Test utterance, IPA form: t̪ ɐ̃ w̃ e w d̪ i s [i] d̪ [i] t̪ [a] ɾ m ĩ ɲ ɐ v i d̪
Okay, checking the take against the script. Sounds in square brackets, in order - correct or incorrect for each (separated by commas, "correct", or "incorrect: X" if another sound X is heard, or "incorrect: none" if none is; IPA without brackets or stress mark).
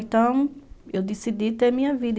correct, correct, incorrect: e